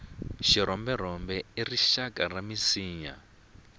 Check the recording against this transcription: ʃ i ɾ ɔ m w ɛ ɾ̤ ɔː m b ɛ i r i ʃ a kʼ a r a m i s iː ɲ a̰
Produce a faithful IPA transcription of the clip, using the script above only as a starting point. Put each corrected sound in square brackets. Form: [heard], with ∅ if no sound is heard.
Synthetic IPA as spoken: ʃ i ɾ ɔ m [b] ɛ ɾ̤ [ɔ] m b ɛ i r i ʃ a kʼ a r a m i s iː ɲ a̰